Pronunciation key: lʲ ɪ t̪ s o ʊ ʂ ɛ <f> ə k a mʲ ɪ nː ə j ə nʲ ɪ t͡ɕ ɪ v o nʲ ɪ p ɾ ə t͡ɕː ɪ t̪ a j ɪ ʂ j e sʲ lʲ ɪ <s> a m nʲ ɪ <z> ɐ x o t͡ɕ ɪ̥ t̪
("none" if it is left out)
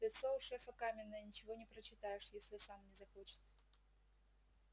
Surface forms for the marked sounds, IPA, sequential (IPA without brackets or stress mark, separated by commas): f, s, z